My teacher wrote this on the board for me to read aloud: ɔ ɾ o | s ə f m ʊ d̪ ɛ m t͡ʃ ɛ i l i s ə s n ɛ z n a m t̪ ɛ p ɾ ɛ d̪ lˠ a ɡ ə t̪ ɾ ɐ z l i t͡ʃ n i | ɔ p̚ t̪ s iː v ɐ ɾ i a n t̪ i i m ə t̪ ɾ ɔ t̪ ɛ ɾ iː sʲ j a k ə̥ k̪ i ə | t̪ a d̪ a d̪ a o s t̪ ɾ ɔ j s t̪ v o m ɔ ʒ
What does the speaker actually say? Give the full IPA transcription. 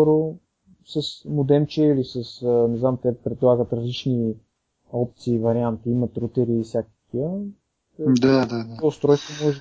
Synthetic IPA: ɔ ɾ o | s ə s m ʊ d̪ ɛ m t͡ʃ ɛ i l i s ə s n ɛ z n a m t̪ ɛ p ɾ ɛ d̪ lˠ a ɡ ə t̪ ɾ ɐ z l i t͡ʃ n i | ɔ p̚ t̪ s iː v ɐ ɾ i a n t̪ i i m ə t̪ ɾ u t̪ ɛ ɾ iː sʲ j a k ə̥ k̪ i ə | d̪ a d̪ a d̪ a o s t̪ ɾ ɔ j s t̪ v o m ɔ ʒ